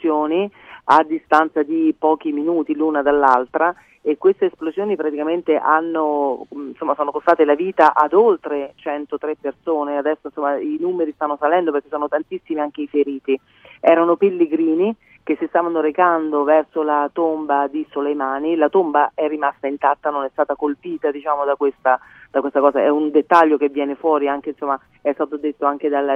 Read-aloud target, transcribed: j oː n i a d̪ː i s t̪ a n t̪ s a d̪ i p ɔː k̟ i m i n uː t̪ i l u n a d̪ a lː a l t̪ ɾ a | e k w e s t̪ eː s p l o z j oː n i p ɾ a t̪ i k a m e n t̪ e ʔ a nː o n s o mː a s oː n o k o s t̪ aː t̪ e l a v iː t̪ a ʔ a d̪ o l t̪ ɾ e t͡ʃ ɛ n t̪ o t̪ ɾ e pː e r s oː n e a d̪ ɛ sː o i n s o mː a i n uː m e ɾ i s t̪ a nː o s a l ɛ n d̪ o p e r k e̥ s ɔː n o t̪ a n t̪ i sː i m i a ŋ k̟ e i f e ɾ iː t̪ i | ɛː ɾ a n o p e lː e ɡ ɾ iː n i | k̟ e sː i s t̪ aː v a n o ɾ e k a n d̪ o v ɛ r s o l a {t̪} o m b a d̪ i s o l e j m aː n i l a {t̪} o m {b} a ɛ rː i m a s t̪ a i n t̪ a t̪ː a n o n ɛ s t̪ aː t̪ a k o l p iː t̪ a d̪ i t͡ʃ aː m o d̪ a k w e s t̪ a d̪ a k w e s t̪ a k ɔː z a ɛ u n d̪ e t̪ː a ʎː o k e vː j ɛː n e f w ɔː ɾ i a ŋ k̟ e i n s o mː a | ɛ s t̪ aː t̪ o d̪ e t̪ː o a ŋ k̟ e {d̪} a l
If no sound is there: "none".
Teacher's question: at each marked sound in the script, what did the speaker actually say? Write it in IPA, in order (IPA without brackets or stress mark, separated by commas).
t̪, t̪, b, d̪